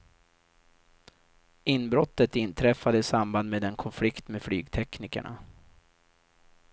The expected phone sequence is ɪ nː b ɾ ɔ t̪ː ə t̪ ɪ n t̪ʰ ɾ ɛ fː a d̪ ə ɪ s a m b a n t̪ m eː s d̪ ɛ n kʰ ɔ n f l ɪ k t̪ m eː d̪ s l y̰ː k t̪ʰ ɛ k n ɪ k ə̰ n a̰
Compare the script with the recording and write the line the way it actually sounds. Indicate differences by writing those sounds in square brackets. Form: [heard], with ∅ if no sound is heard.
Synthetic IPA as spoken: ɪ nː b ɾ ɔ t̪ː ə t̪ ɪ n t̪ʰ ɾ ɛ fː a d̪ ə ɪ s a m b a n [d̪] m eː [∅] d̪ ɛ n kʰ ɔ n f l ɪ k t̪ m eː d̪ [f] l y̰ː [ɡ] t̪ʰ ɛ k n ɪ k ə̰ [ɳ] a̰